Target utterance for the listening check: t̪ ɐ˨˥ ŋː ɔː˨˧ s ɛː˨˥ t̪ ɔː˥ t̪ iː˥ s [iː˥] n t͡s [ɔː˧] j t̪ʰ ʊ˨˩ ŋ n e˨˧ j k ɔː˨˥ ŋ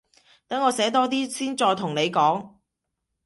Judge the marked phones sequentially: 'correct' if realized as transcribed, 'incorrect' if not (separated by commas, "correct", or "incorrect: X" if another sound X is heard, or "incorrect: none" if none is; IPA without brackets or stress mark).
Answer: correct, correct